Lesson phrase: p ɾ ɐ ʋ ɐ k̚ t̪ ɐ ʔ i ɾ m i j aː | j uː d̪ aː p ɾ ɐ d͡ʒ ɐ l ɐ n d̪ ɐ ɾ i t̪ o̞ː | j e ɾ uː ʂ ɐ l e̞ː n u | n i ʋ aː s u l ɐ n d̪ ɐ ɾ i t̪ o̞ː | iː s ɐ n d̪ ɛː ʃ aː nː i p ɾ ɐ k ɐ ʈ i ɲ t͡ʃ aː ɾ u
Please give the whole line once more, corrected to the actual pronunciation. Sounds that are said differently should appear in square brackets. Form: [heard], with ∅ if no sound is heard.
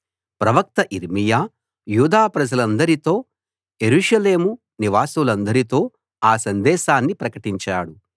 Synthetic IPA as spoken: p ɾ ɐ ʋ ɐ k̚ t̪ ɐ ʔ i ɾ m i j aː | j uː d̪ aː p ɾ ɐ d͡ʒ ɐ l ɐ n d̪ ɐ ɾ i t̪ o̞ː | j e ɾ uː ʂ ɐ l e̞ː [m] u | n i ʋ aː s u l ɐ n d̪ ɐ ɾ i t̪ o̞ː | [aː] s ɐ n d̪ ɛː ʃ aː nː i p ɾ ɐ k ɐ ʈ i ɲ t͡ʃ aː [ɽ] u

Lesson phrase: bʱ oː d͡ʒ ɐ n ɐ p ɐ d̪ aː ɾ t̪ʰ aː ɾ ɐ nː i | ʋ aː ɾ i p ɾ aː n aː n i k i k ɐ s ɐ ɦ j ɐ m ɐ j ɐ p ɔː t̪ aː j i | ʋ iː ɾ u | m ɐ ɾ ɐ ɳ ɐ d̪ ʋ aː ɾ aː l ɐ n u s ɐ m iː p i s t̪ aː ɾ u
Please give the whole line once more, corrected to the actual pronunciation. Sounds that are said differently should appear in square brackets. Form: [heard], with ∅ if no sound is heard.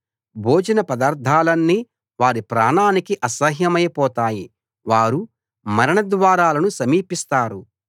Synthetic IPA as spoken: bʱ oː d͡ʒ ɐ n ɐ p ɐ d̪ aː ɾ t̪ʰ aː [l] ɐ nː i | ʋ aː ɾ i p ɾ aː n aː n i k i [ʔ] ɐ s ɐ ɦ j ɐ m ɐ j ɐ p ɔː t̪ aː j i | ʋ [aː] ɾ u | m ɐ ɾ ɐ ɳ ɐ d̪ ʋ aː ɾ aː l ɐ n u s ɐ m iː p i s t̪ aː ɾ u

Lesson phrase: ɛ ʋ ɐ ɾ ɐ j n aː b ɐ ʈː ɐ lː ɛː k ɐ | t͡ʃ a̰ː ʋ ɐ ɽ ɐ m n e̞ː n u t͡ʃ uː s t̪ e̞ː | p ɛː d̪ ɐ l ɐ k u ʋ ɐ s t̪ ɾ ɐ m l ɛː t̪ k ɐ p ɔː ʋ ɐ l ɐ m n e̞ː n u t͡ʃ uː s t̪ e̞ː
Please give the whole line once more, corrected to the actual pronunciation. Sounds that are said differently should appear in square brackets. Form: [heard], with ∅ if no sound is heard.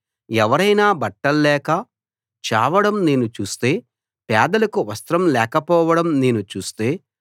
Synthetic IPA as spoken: ɛ ʋ ɐ ɾ ɐ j n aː b ɐ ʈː ɐ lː ɛː k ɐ | t͡ʃ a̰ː ʋ ɐ ɽ ɐ m n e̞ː n u t͡ʃ uː s t̪ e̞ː | p ɛː d̪ ɐ l ɐ k u ʋ ɐ s t̪ ɾ ɐ m l ɛː [∅] k ɐ p ɔː ʋ ɐ [ɽ] ɐ m n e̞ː n u t͡ʃ uː s t̪ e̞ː

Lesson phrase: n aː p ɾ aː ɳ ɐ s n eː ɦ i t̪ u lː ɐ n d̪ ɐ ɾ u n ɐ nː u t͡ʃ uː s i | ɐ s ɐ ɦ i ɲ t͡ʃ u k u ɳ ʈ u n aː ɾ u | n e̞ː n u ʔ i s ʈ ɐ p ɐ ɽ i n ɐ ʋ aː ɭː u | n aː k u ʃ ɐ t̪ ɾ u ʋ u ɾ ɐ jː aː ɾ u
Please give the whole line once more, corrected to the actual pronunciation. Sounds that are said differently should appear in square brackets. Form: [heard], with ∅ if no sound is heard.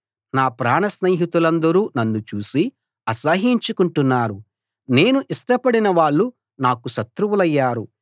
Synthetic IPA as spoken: n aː p ɾ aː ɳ ɐ s n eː ɦ i t̪ u [l] ɐ n d̪ ɐ ɾ [uː] n ɐ nː u t͡ʃ uː s i | ɐ s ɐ ɦ i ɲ t͡ʃ u k u ɳ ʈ u [nː] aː ɾ u | n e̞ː n u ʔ i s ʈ ɐ p ɐ ɽ i n ɐ ʋ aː ɭː u | n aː k u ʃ ɐ t̪ ɾ u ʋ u [l] ɐ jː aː ɾ u

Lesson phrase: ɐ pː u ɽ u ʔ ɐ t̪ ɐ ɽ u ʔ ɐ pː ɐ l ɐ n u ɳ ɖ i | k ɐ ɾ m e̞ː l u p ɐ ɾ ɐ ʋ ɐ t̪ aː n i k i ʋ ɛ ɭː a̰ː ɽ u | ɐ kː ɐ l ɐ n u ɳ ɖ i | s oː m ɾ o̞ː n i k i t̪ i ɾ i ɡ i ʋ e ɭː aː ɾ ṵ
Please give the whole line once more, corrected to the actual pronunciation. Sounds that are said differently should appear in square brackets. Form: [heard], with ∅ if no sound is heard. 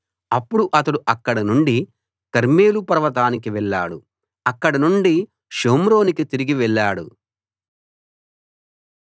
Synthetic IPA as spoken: ɐ pː u ɽ u ʔ ɐ t̪ ɐ ɽ u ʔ ɐ [kː] ɐ [ɽ] ɐ n u ɳ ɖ i | k ɐ ɾ m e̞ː l u p ɐ ɾ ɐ ʋ ɐ t̪ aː n i k i ʋ ɛ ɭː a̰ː ɽ u | ɐ kː ɐ [ɽ] ɐ n u ɳ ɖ i | [ʃ] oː m ɾ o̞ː n i k i t̪ i ɾ i ɡ i ʋ [ɛ] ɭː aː [ɽ] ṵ

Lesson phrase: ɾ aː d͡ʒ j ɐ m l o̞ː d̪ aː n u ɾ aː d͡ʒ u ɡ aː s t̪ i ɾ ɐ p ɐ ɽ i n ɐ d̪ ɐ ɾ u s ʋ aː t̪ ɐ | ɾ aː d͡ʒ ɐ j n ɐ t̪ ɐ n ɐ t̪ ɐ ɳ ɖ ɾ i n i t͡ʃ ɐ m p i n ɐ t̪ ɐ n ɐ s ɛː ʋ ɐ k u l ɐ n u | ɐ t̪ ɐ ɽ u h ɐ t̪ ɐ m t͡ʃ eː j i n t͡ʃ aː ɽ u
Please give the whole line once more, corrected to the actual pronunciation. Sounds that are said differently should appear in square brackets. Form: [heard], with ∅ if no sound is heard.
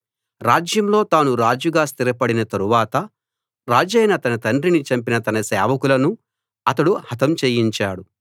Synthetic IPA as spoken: ɾ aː d͡ʒ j ɐ m l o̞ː [t̪] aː n u ɾ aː d͡ʒ u ɡ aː s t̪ i ɾ ɐ p ɐ ɽ i n ɐ [t̪] ɐ ɾ u [∅] ʋ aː t̪ ɐ | ɾ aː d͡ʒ ɐ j n ɐ t̪ ɐ n ɐ t̪ ɐ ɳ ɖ ɾ i n i t͡ʃ ɐ m p i n ɐ t̪ ɐ n ɐ s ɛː ʋ ɐ k u l ɐ n u | ɐ t̪ ɐ ɽ u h ɐ t̪ ɐ m t͡ʃ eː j i [ɲ] t͡ʃ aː ɽ u

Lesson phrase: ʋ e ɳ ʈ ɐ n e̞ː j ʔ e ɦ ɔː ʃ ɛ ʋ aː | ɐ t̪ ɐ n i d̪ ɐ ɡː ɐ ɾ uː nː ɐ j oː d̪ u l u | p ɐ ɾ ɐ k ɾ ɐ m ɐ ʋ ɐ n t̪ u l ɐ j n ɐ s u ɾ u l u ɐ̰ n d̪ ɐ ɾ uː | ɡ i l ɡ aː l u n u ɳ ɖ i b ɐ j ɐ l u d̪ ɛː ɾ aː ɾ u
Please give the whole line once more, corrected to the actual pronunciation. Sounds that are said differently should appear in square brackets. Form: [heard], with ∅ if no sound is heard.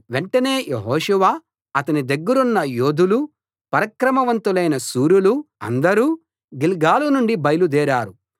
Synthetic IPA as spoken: ʋ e ɳ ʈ ɐ n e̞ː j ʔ e ɦ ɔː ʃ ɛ ʋ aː | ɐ t̪ ɐ n i d̪ ɐ ɡː ɐ ɾ [u] nː ɐ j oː d̪ u l u | p ɐ ɾ ɐ k ɾ ɐ m ɐ ʋ ɐ n t̪ u l ɐ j n ɐ s [uː] ɾ u l u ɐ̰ n d̪ ɐ ɾ uː | ɡ i l ɡ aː l u n u ɳ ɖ i b ɐ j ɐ l u d̪ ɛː ɾ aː ɾ u

